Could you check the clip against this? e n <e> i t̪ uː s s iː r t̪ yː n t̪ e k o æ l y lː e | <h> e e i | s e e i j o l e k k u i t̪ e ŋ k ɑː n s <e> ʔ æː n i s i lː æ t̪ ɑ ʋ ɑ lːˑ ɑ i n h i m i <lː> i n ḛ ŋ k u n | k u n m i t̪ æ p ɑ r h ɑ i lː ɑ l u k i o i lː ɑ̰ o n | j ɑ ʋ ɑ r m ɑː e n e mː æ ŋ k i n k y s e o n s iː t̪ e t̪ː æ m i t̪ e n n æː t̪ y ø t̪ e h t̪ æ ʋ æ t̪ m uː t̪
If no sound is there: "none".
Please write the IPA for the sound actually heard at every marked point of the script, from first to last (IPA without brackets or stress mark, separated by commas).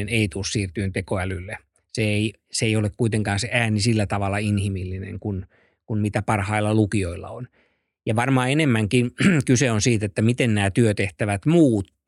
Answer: e, s, e, lː